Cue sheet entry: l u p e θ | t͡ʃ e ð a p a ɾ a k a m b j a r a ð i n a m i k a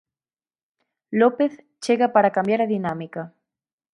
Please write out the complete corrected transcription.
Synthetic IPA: l o p e θ | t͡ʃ e ɣ a p a ɾ a k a m b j a ɾ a ð i n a m i k a